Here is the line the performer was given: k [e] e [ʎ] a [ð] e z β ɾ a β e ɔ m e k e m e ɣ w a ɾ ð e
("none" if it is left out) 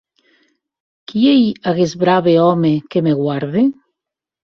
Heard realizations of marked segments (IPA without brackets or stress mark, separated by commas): i, j, ɣ